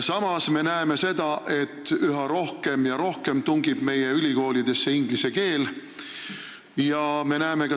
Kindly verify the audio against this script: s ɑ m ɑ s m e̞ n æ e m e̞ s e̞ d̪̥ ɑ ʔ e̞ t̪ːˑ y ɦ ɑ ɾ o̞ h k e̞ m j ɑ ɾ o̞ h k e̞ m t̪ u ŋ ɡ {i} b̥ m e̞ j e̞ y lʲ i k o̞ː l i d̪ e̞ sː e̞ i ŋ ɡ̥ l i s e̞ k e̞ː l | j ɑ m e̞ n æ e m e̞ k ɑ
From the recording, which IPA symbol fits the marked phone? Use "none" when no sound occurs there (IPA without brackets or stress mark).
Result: i